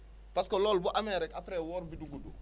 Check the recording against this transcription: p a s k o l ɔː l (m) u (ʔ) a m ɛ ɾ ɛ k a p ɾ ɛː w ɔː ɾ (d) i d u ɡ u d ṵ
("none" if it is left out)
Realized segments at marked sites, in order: b, ʔ, b

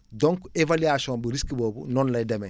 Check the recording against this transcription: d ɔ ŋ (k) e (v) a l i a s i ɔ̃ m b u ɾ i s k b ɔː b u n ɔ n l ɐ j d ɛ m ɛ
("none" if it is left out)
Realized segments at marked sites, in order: k, v

